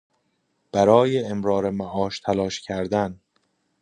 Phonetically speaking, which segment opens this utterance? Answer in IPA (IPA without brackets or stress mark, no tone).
b̥